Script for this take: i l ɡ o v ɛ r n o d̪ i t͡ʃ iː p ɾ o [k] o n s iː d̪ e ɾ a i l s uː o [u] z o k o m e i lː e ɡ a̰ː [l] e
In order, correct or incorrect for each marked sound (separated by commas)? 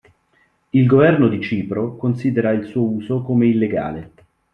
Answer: correct, incorrect, correct